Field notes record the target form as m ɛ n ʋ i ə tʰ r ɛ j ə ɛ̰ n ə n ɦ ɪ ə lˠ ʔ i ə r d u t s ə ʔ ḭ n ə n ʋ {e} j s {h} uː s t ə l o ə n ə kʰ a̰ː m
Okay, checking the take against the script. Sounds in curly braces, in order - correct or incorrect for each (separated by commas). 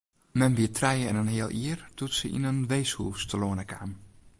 correct, correct